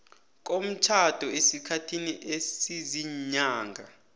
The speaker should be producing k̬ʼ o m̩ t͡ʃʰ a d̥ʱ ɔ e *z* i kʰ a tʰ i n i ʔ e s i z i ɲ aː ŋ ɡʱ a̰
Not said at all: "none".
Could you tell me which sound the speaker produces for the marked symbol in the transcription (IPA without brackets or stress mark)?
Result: s